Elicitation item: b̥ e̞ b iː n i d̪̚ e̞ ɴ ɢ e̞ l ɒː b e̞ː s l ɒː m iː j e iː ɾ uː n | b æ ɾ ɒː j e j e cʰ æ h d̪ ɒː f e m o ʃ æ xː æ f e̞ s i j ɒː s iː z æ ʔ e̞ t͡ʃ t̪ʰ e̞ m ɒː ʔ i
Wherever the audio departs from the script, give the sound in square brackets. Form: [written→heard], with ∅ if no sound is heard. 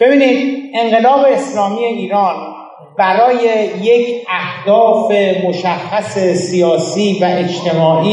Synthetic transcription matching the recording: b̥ e̞ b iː n i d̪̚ e̞ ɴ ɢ e̞ l ɒː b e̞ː s l ɒː m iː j e iː ɾ [uː→ɒː] n | b æ ɾ ɒː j e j e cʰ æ h d̪ ɒː f e m o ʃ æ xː æ [f→s] e̞ s i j ɒː s iː [z→v] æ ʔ e̞ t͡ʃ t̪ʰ e̞ m ɒː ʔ i